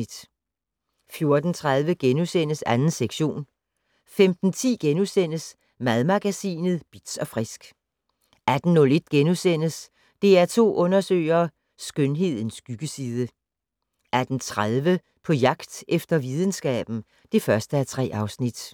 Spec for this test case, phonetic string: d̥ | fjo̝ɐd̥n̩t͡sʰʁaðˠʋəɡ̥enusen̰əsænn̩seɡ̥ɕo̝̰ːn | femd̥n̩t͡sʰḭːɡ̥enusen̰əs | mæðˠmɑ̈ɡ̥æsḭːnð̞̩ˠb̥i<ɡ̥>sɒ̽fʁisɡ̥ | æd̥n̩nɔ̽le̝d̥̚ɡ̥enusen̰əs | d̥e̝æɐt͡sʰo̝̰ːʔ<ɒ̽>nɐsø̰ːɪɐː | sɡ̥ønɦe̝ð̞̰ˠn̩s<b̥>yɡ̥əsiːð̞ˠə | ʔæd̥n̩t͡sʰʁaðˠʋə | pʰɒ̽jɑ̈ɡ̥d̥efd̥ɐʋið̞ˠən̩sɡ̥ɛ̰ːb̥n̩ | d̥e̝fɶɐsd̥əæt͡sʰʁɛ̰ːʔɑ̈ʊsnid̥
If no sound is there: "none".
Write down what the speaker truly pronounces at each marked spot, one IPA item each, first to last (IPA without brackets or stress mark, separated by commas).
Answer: d̥, ɔ̽, ɡ̥